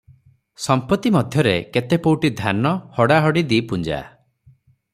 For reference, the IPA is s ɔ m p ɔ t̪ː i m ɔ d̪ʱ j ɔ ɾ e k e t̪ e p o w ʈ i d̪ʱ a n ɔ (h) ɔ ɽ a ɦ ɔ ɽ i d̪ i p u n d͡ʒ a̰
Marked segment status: correct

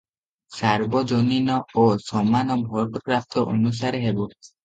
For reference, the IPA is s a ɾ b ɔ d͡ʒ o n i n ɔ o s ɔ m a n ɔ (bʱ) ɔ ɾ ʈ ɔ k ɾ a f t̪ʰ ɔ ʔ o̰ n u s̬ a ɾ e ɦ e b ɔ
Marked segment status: correct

